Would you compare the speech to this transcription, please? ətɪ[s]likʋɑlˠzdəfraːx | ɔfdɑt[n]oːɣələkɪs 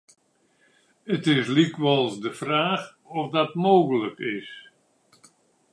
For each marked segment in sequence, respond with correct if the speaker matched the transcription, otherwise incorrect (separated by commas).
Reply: correct, incorrect